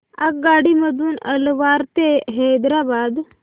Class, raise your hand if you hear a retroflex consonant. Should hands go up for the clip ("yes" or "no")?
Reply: yes